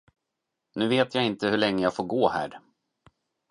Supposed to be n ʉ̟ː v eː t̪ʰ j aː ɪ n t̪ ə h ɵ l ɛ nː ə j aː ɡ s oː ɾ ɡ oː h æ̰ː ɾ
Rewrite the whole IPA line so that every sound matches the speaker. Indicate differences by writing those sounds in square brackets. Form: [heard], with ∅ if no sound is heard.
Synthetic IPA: n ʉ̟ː v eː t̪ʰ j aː ɪ n t̪ ə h ɵ [ɭ] ɛ [ŋː] ə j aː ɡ [f] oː ɾ ɡ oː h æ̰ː ɾ